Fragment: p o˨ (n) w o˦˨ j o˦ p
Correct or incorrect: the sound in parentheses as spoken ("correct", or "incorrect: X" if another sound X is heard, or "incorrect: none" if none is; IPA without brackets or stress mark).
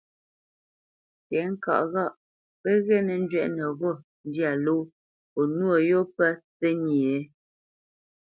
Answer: correct